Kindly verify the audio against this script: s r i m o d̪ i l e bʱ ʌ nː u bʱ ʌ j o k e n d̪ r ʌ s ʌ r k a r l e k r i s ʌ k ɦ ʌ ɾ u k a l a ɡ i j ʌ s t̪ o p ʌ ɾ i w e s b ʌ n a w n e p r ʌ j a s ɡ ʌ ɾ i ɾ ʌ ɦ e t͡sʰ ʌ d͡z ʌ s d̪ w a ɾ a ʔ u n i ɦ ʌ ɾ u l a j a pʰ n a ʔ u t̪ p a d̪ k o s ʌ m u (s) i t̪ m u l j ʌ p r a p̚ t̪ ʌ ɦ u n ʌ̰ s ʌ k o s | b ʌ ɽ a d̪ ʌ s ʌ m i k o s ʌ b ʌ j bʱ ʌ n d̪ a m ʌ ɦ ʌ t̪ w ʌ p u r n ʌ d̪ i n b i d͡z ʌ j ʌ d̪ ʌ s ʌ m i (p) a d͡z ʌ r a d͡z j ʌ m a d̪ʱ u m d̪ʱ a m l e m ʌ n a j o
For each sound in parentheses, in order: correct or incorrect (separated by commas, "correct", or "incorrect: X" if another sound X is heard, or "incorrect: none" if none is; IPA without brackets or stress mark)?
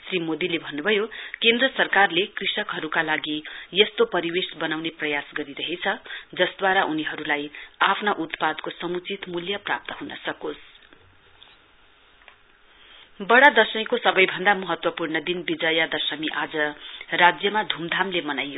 incorrect: t͡s, incorrect: ʔ